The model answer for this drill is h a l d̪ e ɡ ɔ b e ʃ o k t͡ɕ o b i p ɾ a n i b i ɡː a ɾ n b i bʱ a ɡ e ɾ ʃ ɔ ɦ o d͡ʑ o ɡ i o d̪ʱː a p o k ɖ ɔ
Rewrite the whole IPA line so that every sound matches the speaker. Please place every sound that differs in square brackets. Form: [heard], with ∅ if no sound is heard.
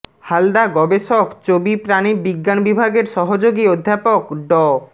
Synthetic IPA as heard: h a l d̪ [a] ɡ ɔ b e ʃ o k t͡ɕ o b i p ɾ a n i b i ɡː a [∅] n b i bʱ a ɡ e ɾ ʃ ɔ ɦ o d͡ʑ o ɡ i o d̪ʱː a p o k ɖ ɔ